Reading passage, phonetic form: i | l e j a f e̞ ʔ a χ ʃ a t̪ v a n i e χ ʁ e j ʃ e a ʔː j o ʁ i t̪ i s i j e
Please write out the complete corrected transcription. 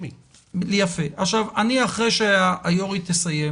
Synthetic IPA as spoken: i | l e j a f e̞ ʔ a χ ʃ a v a n i a χ ʁ e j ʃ e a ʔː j o ʁ i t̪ e s a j e